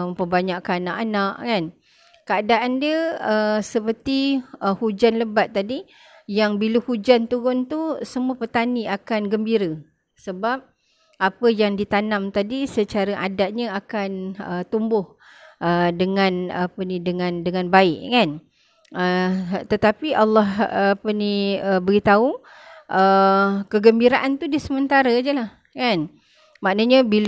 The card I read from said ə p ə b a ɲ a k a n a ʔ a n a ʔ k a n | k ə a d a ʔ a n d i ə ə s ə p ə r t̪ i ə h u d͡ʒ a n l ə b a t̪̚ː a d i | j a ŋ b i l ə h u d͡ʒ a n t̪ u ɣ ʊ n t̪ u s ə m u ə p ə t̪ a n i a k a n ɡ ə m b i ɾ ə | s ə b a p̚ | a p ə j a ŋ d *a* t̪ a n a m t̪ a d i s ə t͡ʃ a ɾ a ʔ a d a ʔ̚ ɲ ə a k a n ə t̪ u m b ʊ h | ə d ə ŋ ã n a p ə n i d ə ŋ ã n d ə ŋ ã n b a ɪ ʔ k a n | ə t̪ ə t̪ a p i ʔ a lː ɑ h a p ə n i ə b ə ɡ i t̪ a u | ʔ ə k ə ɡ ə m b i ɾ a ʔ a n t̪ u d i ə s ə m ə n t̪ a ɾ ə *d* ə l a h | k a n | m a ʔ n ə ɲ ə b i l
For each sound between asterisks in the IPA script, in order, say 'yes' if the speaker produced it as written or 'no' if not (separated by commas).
no, no